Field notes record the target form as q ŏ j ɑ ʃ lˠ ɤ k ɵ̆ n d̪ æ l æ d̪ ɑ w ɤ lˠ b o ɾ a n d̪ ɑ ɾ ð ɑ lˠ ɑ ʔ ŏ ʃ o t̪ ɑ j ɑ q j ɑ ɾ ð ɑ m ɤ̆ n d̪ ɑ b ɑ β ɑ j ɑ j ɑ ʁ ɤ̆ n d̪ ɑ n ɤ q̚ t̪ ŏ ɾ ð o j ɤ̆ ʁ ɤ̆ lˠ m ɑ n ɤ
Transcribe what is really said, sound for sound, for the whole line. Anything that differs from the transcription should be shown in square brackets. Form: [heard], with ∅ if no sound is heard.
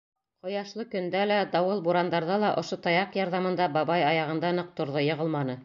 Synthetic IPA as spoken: q ŏ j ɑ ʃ lˠ ɤ k ɵ̆ n d̪ æ l æ d̪ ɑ w ɤ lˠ b [u] ɾ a n d̪ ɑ ɾ ð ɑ lˠ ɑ ʔ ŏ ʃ o t̪ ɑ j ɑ q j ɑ ɾ ð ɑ m ɤ̆ n d̪ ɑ b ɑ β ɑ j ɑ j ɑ ʁ ɤ̆ n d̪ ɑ n ɤ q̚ t̪ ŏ ɾ ð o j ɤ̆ ʁ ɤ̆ lˠ m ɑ n ɤ